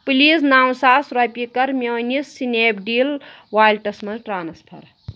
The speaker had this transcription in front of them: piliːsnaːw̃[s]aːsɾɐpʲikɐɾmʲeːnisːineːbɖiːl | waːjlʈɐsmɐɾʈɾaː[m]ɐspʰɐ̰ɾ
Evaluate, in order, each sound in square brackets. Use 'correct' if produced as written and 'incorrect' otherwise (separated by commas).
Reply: correct, incorrect